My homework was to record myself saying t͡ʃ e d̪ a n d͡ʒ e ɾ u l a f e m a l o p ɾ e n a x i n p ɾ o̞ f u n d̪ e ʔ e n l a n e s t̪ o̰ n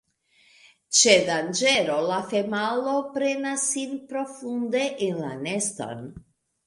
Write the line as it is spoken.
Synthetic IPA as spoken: t͡ʃ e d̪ a n d͡ʒ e ɾ o l a f e m a l o p ɾ e n a s i n p ɾ o̞ f u n d̪ e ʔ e n l a n e s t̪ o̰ n

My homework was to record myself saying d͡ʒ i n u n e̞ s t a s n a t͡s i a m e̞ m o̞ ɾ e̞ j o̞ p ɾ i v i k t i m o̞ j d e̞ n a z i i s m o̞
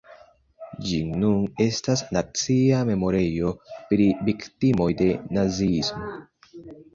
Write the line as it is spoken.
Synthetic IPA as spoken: d͡ʒ i n u n e̞ s t a s n a t͡s i a m e̞ m o̞ ɾ e̞ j o̞ p ɾ i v i k t i m o̞ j d e̞ n a z i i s m o̞

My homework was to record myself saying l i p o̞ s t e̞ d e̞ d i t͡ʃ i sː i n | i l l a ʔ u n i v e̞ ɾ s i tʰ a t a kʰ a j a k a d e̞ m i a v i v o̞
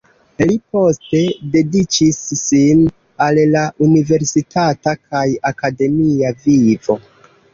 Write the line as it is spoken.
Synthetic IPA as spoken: l i p o̞ s t e̞ d e̞ d i t͡ʃ i sː i n | a l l a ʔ u n i v e̞ ɾ s i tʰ a t a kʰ a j a k a d e̞ m i a v i v o̞

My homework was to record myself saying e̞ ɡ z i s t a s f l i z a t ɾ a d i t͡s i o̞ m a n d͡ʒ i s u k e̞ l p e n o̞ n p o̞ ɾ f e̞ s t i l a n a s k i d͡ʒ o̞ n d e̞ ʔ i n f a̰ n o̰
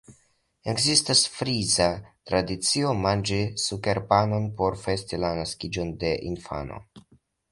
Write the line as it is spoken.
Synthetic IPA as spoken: e̞ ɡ z i s t a s f ɾ i z a t ɾ a d i t͡s i o̞ m a n d͡ʒ i s u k e̞ ɾ p a n o̞ n p o̞ ɾ f e̞ s t i l a n a s k i d͡ʒ o̞ n d e̞ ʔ i n f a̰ n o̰

